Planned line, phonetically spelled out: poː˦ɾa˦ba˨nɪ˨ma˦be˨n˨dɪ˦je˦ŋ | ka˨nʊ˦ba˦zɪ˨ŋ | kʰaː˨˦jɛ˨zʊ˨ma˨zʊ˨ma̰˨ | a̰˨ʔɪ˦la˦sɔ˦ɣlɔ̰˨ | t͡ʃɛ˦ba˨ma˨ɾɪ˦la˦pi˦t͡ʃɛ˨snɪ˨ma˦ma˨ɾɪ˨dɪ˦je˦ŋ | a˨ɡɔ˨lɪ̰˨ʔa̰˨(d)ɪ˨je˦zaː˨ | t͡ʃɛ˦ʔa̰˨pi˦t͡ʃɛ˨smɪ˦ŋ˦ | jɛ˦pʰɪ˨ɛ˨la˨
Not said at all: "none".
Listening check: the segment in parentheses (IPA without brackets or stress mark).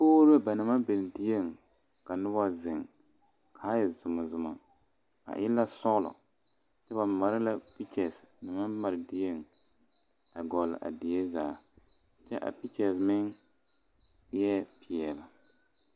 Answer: d